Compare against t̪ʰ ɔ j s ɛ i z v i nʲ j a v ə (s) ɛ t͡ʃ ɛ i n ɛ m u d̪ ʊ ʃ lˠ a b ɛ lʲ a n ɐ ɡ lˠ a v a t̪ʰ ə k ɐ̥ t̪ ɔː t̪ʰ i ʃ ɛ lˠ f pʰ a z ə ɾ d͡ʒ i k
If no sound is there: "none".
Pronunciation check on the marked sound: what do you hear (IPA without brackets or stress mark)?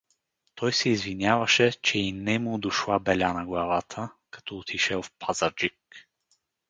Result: ʃ